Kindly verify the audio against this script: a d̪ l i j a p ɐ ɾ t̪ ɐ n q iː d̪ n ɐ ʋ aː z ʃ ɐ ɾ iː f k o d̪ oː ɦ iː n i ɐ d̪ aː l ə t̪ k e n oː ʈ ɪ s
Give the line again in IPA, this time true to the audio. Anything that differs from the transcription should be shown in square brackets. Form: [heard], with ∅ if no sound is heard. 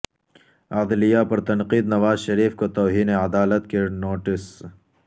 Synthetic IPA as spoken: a d̪ l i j a p ɐ ɾ t̪ ɐ n q iː d̪ n ɐ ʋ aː z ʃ ɐ ɾ iː f k o [t̪] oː ɦ iː n [e] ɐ d̪ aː l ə t̪ k e n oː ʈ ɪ s